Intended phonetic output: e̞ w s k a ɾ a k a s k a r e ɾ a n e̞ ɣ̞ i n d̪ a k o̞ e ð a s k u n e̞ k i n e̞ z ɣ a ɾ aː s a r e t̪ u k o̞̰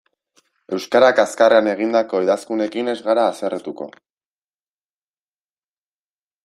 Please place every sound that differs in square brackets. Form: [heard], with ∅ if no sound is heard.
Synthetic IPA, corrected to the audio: e̞ w s k a ɾ a k a s k a r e [∅] a n e̞ ɣ̞ i n d̪ a k o̞ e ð a s k u n e̞ k i n e̞ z ɣ a ɾ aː s [e] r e t̪ u k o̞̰